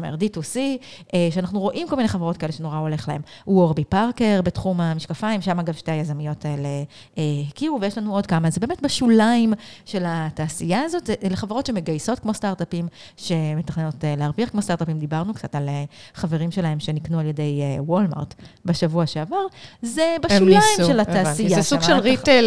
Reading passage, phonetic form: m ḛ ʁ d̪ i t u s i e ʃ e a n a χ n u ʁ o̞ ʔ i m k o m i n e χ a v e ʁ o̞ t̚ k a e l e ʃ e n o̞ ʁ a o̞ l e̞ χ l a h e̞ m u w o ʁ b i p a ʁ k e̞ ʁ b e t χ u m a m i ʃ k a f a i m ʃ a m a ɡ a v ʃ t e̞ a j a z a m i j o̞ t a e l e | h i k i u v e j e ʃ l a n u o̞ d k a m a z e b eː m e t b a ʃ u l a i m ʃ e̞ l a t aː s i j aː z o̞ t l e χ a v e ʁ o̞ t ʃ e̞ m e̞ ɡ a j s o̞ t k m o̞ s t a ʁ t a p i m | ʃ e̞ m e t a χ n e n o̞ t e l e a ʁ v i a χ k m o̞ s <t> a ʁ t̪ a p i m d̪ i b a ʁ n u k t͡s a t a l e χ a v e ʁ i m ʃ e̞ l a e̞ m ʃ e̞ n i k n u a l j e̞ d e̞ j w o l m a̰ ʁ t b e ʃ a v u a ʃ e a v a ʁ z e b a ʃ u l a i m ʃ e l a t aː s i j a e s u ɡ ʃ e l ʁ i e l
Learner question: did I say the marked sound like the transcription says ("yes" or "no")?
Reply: yes